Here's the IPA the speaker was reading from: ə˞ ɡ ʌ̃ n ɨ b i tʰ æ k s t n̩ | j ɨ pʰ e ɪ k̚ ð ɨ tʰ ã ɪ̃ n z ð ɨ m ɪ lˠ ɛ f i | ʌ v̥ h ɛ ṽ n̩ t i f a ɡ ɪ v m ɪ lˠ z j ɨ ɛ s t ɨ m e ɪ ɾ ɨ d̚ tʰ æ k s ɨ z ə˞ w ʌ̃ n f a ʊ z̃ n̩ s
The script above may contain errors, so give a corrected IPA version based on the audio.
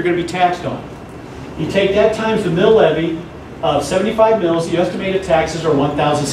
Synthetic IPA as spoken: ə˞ ɡ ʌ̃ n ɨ b i tʰ æ k s t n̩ | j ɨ tʰ e ɪ k̚ ð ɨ tʰ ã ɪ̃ m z ð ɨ m ɪ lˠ ɛ v i | ʌ v̥ s ɛ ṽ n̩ t i f a ɪ v m ɪ lˠ z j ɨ ɛ s t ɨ m e ɪ ɾ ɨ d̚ tʰ æ k s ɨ z ə˞ w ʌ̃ n θ a ʊ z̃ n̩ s